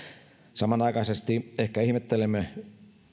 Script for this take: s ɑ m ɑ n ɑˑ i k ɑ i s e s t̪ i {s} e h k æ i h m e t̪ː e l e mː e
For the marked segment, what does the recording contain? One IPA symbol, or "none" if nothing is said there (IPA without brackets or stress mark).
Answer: none